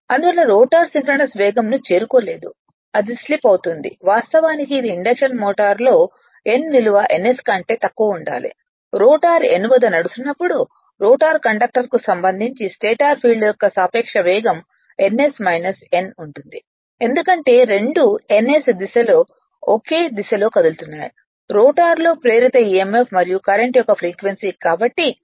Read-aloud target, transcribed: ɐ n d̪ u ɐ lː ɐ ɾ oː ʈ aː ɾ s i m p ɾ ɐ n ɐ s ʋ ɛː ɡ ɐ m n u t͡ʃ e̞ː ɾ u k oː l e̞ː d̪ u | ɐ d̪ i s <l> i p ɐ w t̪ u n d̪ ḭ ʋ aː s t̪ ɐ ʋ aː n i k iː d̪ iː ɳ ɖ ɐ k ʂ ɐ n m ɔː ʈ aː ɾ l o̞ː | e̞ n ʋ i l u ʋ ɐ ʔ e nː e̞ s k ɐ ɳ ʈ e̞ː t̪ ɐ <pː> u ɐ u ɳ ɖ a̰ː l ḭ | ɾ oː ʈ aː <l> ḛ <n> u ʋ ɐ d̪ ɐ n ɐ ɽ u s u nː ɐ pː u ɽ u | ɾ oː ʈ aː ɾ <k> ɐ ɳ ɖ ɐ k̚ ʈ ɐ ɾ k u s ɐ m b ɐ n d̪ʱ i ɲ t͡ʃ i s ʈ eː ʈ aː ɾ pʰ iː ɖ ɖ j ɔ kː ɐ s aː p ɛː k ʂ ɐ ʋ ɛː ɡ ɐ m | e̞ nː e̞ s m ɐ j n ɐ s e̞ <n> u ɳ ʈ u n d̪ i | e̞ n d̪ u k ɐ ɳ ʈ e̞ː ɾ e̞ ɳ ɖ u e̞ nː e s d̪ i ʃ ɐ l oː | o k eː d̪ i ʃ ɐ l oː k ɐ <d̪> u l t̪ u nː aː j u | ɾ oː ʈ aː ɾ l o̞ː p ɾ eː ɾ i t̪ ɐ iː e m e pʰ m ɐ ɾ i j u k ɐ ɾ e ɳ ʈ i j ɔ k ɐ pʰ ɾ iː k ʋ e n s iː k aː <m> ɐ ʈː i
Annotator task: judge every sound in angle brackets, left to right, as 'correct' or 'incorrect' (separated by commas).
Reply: correct, incorrect, incorrect, correct, correct, correct, correct, incorrect